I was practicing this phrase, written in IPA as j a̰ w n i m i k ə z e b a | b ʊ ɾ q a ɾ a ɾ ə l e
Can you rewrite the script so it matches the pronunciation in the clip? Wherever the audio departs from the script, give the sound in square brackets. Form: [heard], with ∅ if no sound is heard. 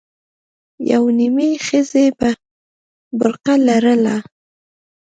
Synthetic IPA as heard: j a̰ w n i m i [x] ə z e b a | b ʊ ɾ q a [l] a ɾ ə l [a]